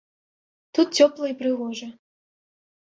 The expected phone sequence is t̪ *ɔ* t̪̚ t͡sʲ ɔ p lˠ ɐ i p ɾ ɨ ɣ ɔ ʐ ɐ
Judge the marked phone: incorrect: u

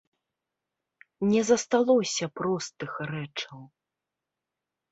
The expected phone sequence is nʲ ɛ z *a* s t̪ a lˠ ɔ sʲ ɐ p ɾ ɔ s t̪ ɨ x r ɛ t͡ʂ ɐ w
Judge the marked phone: incorrect: ɐ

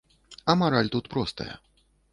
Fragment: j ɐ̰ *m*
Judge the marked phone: incorrect: none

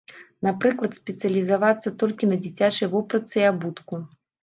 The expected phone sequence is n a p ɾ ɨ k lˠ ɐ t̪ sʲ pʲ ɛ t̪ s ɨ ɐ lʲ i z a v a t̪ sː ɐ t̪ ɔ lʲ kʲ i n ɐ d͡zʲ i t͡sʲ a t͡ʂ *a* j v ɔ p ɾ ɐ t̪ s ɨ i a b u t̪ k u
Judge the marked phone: incorrect: ɐ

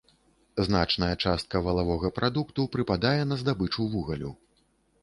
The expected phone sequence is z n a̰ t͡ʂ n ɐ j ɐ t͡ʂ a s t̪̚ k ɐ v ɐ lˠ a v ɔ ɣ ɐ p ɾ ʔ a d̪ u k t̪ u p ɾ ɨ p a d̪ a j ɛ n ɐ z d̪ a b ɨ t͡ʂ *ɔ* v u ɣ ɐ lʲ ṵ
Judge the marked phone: incorrect: u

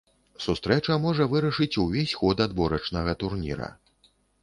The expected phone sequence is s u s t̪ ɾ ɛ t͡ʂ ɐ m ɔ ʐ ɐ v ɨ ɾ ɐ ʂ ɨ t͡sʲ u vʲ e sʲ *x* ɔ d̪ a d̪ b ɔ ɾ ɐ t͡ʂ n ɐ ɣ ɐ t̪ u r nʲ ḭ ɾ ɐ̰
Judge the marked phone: correct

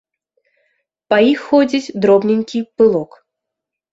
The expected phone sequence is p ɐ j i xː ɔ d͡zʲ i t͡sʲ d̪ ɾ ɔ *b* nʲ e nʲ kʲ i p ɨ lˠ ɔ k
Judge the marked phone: correct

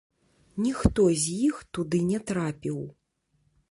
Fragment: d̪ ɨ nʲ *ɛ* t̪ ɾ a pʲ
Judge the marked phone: correct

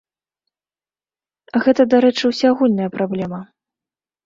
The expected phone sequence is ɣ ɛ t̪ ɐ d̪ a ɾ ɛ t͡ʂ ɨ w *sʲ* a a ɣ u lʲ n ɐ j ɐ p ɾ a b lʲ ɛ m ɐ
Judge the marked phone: correct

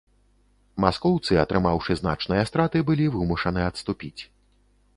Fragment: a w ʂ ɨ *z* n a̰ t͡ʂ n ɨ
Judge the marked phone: correct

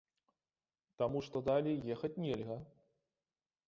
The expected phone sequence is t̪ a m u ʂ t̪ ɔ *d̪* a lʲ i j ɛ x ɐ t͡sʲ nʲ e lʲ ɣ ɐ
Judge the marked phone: correct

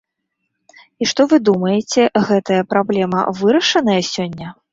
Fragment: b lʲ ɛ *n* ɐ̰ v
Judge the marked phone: incorrect: m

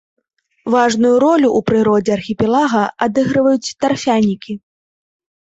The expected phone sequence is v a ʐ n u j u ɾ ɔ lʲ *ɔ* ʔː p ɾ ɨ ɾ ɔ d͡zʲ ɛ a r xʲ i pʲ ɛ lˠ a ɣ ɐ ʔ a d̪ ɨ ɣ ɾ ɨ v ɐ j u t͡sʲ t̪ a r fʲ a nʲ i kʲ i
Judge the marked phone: incorrect: u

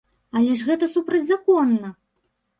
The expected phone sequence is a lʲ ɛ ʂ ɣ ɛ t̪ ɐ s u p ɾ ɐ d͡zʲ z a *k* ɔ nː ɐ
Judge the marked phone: correct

